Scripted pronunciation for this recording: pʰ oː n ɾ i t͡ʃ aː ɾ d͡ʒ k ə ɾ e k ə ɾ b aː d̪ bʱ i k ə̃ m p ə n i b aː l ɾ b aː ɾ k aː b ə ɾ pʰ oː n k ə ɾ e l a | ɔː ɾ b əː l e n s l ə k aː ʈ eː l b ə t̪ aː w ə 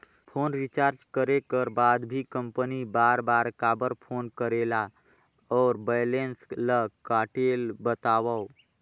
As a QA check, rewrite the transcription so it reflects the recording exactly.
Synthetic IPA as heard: pʰ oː n ɾ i t͡ʃ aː ɾ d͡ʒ k ə ɾ e k ə ɾ b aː d̪ bʱ i k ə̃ m p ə n i b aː ɾ b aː ɾ k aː b ə ɾ pʰ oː n k ə ɾ e l a | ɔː ɾ b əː l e n s l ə k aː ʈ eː l b ə t̪ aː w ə